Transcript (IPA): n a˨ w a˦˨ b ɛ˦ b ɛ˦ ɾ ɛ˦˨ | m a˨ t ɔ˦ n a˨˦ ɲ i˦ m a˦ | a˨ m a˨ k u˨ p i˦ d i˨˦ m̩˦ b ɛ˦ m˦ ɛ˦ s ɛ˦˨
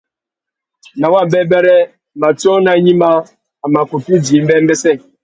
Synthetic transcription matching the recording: n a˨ w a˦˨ b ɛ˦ b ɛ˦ ɾ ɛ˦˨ | m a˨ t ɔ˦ n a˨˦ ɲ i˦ m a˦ | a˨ m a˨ k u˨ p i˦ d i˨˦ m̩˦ b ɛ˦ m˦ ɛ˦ s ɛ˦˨